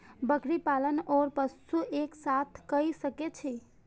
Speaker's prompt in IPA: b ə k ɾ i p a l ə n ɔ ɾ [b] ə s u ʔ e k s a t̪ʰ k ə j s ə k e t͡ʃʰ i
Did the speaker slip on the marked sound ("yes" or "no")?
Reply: yes